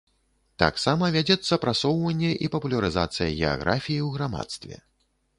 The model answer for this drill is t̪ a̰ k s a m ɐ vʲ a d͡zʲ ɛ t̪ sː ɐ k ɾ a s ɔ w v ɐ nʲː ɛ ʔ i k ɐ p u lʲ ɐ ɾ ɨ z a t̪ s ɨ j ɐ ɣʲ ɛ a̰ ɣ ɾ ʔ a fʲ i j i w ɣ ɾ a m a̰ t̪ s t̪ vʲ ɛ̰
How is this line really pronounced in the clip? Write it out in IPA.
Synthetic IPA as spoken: t̪ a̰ k s a m ɐ vʲ a d͡zʲ ɛ t̪ sː ɐ p ɾ a s ɔ w v ɐ nʲː ɛ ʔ i p ɐ p u lʲ ɐ ɾ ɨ z a t̪ s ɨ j ɐ ɣʲ ɛ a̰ ɣ ɾ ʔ a fʲ i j i w ɣ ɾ a m a̰ t̪ s t̪ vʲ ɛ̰

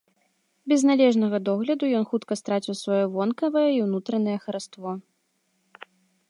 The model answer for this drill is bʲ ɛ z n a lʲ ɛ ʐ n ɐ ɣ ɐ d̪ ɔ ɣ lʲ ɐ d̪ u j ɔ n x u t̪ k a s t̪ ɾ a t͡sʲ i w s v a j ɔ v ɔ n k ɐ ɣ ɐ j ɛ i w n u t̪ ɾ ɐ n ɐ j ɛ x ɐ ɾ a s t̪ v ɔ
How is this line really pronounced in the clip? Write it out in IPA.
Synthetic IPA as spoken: bʲ ɛ z n a lʲ ɛ ʐ n ɐ ɣ ɐ d̪ ɔ ɣ lʲ ɐ d̪ u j ɔ n x u t̪ k ɐ s t̪ ɾ a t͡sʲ i w s v a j ɔ v ɔ n k ɐ v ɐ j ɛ i w n u t̪ ɾ ɐ n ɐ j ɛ x ɐ ɾ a s t̪ v ɔ

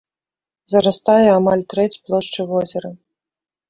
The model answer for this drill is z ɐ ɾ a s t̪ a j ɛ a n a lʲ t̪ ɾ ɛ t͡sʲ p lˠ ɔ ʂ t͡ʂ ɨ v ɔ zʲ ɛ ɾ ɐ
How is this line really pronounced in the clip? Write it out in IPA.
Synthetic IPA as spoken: z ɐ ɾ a s t̪ a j ɛ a m a lʲ t̪ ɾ ɛ t͡sʲ p lˠ ɔ ʂ t͡ʂ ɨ v ɔ zʲ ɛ ɾ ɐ

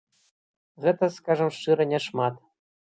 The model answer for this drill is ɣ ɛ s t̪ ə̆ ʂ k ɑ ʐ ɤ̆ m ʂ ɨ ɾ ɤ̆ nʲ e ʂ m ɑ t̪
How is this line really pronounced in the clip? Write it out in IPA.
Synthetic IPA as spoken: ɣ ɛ t̪ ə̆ s k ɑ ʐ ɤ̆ m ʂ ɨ ɾ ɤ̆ nʲ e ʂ m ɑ t̪

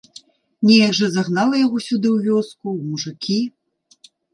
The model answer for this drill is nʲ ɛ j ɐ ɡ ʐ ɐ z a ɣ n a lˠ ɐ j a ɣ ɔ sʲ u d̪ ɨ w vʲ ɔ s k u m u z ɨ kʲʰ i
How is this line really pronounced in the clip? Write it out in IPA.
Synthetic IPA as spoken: nʲ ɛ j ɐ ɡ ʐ ɐ z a ɣ n a lˠ ɐ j a ɣ ɔ sʲ u d̪ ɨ w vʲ ɔ s k u m u ʐ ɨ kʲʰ i

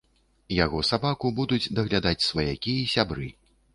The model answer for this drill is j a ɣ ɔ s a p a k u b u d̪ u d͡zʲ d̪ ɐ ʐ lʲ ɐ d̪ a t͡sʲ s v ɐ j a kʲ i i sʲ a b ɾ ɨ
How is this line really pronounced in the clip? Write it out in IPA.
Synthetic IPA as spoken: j a ɣ ɔ s a b a k u b u d̪ u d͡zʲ d̪ ɐ ɣ lʲ a d̪ a t͡sʲ s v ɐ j a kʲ i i sʲ a b ɾ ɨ

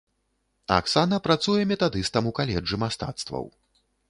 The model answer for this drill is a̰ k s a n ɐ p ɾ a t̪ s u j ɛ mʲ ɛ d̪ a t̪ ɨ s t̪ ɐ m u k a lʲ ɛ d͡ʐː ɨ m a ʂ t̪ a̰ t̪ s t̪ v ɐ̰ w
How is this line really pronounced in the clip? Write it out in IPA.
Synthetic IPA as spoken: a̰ k s a n ɐ p ɾ a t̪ s u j ɛ mʲ ɛ t̪ a d̪ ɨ s t̪ ɐ m u k a lʲ ɛ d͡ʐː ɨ m a s t̪ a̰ t̪ s t̪ v ɐ̰ w

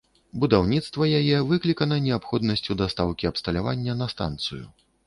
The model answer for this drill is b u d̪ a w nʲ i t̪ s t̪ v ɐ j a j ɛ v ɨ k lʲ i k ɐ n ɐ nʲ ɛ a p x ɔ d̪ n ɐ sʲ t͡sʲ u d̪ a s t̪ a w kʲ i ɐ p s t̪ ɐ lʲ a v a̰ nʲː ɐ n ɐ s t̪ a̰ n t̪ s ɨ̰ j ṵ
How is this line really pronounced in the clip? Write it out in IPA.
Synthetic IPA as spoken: b u d̪ a w nʲ i t̪ s t̪ v ɐ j a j ɛ v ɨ k lʲ i k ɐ n ɐ nʲ ɛ a p x ɔ d̪ n ɐ sʲ t͡sʲ u d̪ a s t̪ a w kʲ i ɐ p s t̪ ɐ lʲ a v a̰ nʲː ɐ n ɐ s t̪ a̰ n t̪ s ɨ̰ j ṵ

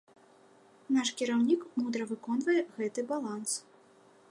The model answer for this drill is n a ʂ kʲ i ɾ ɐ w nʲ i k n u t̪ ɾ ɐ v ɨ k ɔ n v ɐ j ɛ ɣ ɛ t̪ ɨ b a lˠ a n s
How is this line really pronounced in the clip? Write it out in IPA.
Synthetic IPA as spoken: n a ʂ kʲ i ɾ a w nʲ i k m u d̪ ɾ ɐ v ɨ k ɔ n v ɐ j ɛ ɣ ɛ t̪ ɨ b a lˠ a n s

